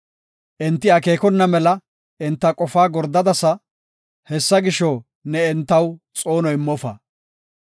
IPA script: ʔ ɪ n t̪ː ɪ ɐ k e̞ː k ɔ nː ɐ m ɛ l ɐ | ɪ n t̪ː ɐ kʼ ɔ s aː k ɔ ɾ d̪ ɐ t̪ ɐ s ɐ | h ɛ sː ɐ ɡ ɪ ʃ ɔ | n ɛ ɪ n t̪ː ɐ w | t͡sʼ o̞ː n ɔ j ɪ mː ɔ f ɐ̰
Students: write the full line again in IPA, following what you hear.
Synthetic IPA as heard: ʔ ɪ n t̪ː ɪ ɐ k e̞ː k ɔ nː ɐ m ɛ l ɐ | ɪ n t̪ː ɐ kʼ ɔ f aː ɡ ɔ ɾ d̪ ɐ d̪ ɐ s ɐ | h ɛ sː ɐ ɡ ɪ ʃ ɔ | n ɛ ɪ n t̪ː ɐ w | t͡sʼ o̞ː n ɔ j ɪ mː ɔ f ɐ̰